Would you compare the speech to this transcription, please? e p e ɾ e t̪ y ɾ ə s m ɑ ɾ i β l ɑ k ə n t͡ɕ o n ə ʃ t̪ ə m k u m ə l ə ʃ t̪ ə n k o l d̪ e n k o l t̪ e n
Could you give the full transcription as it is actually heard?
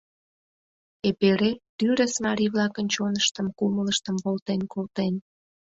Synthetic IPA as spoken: e p e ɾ e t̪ y ɾ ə s m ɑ ɾ i β l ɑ k ə n t͡ɕ o n ə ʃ t̪ ə m k u m ə l ə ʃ t̪ ə m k o l t̪ e n k o l t̪ e n